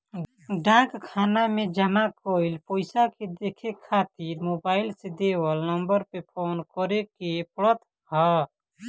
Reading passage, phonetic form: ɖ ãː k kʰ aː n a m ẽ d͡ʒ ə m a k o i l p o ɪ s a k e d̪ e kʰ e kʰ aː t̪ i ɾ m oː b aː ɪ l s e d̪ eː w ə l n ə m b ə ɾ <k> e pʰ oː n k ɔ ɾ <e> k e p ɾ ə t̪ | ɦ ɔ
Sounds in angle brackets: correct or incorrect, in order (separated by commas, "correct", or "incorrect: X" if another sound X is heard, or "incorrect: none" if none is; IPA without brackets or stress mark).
incorrect: p, correct